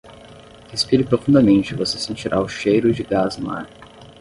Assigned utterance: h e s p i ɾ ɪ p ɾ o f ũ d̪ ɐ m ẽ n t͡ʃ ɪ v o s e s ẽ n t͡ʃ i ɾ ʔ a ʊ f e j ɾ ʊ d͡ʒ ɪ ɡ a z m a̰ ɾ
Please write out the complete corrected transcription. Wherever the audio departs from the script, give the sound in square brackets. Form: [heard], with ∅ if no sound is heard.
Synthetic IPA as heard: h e s p i ɾ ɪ p ɾ o f ũ d̪ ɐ m ẽ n t͡ʃ ɪ v o s e s ẽ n t͡ʃ i ɾ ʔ a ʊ [ʃ] e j ɾ ʊ d͡ʒ ɪ ɡ a z m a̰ ɾ